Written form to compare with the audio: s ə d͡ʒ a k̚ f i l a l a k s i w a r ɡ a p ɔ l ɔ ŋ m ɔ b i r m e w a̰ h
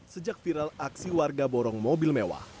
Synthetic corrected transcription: s ə d͡ʒ a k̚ f i ɾ a l a k s i w a r ɡ a b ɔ ɾ ɔ ŋ m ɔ b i l m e w a̰ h